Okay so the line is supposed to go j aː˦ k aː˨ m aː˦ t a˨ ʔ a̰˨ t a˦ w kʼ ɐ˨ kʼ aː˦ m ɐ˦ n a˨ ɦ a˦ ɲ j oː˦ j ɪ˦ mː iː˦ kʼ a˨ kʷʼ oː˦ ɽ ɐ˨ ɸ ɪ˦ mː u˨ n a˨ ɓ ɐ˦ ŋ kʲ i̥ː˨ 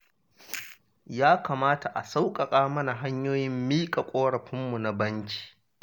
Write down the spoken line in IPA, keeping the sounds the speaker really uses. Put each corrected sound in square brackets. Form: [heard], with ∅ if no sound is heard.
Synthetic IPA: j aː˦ k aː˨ m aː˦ t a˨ ʔ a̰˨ [s] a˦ w kʼ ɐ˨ kʼ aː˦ m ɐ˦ n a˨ ɦ a˦ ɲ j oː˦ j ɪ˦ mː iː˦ kʼ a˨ kʷʼ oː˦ ɽ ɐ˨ ɸ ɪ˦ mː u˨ n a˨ [b] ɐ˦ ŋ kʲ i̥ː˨

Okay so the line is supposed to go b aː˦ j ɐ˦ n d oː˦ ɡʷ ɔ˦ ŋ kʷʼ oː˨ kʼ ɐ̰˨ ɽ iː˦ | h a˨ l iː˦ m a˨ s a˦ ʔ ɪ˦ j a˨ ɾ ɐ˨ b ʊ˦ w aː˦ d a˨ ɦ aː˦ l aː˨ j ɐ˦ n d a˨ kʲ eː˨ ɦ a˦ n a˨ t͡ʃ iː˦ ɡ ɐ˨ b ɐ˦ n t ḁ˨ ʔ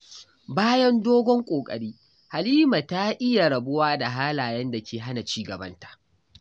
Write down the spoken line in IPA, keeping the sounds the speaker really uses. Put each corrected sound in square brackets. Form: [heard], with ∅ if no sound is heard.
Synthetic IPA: b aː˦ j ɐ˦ n d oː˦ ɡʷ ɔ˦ ŋ kʷʼ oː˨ kʼ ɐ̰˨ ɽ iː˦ | h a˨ l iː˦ m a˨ [t] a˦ ʔ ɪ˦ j a˨ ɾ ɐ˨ b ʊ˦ w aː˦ d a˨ ɦ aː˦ l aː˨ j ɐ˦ n d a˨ kʲ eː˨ ɦ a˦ n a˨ t͡ʃ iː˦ ɡ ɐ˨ b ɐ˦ n t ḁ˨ ʔ

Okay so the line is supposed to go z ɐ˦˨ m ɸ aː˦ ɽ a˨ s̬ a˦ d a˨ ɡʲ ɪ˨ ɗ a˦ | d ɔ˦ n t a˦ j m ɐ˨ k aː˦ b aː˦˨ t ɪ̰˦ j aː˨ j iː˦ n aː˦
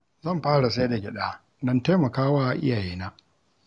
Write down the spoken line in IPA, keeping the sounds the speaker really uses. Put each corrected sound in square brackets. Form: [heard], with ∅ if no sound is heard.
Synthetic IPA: z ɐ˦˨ m ɸ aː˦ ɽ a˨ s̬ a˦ d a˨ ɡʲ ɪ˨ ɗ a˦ | d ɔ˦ n t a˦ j m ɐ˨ k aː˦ [w] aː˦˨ [ʔ] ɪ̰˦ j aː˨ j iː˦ n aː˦

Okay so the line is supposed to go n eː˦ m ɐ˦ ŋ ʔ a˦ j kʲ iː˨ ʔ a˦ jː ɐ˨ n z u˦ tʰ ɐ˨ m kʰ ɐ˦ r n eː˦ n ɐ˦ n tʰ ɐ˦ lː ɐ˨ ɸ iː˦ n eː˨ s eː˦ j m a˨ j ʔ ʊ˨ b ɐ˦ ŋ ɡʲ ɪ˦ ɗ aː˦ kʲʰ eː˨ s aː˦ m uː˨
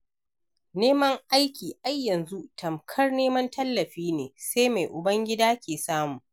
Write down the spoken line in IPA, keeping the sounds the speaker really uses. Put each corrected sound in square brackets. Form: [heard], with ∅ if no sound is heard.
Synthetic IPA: n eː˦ m ɐ˦ ŋ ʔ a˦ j kʲ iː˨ ʔ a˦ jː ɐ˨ n z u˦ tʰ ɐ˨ m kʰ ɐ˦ r n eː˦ [m] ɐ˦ n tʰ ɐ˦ lː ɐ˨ ɸ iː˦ n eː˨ s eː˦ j m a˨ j ʔ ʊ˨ b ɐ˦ ŋ ɡʲ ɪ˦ [d] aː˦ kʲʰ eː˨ s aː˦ m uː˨

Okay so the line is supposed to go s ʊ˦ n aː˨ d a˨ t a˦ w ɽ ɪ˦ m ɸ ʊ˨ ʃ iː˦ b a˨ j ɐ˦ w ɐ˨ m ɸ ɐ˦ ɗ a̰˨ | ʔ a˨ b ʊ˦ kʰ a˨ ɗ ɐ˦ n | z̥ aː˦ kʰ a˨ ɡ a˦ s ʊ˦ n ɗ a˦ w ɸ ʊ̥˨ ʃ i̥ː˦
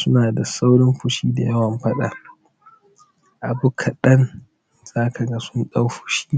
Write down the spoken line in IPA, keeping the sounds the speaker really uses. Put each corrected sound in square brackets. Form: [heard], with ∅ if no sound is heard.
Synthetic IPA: s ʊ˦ n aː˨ d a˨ [s] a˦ w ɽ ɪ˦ m ɸ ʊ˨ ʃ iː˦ [d] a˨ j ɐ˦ w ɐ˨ m ɸ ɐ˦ ɗ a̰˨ | ʔ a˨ b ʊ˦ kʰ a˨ ɗ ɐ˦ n | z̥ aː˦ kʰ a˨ ɡ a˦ s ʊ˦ n ɗ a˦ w ɸ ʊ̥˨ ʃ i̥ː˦

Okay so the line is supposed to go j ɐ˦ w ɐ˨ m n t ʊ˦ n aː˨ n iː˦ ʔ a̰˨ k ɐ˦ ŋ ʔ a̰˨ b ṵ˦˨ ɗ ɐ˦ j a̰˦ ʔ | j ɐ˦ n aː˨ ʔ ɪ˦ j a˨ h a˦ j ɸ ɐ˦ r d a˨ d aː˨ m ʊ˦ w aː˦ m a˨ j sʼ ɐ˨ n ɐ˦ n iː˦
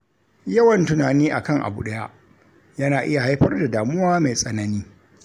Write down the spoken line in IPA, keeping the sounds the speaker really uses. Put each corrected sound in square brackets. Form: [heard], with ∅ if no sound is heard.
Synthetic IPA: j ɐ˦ w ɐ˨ [∅] n t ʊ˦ n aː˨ n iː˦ ʔ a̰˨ k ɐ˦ ŋ ʔ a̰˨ b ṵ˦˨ ɗ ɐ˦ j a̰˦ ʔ | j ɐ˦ n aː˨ ʔ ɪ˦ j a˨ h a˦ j ɸ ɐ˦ r d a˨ d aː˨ m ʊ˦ w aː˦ m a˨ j sʼ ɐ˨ n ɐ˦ n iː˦

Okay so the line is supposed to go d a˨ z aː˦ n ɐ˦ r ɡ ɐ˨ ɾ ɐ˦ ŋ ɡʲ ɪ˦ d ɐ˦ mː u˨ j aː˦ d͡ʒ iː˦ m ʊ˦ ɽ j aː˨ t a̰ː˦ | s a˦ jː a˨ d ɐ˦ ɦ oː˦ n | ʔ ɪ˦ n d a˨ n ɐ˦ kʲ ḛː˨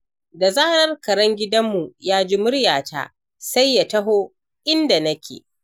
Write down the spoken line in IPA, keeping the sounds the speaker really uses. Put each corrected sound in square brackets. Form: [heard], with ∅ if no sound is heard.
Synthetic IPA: d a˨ z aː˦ n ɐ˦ r [k] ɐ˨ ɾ ɐ˦ ŋ ɡʲ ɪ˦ d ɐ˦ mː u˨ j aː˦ d͡ʒ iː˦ m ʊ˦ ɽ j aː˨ t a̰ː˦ | s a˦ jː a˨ [t] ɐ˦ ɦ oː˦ [∅] | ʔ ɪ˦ n d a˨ n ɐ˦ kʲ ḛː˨

